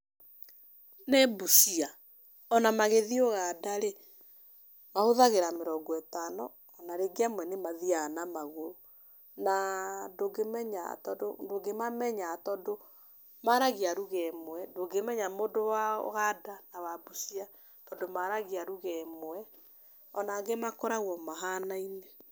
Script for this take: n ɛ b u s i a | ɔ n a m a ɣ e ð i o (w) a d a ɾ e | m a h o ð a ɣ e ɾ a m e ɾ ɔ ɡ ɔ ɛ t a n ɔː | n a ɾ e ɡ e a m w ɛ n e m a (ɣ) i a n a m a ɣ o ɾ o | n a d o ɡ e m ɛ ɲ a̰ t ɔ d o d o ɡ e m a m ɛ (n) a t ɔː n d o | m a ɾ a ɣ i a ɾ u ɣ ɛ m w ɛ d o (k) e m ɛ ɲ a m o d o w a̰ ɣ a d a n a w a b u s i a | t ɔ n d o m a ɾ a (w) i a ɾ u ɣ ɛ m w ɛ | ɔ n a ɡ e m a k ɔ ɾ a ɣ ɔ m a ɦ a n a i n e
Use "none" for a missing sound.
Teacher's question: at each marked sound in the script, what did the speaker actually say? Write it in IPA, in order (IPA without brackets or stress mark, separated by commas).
ɣ, ð, ɲ, ɡ, ɣ